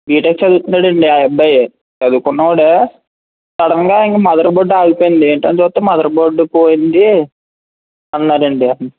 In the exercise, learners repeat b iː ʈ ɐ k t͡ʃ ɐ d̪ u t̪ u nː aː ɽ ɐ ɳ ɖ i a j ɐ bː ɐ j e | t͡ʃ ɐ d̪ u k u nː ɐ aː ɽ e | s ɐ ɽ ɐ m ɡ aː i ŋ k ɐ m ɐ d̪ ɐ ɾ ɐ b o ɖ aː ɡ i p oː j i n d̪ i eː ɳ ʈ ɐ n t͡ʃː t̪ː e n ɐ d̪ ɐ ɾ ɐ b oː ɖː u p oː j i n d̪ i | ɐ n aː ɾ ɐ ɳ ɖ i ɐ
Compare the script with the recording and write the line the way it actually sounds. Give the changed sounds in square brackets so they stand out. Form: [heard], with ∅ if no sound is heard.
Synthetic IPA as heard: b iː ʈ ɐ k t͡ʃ ɐ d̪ u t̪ u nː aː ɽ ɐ ɳ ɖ i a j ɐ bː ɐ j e | t͡ʃ ɐ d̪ u k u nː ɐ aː ɽ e | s ɐ ɽ ɐ [ŋ] ɡ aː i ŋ k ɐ m ɐ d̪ ɐ ɾ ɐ b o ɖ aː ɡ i p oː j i n d̪ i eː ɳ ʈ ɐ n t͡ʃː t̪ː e [m] ɐ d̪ ɐ ɾ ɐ b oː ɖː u p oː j i n d̪ i | ɐ [nː] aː ɾ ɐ ɳ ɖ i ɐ